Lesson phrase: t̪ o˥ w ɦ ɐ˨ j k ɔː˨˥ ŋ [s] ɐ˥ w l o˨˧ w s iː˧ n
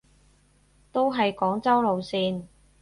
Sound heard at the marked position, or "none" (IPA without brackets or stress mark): t͡s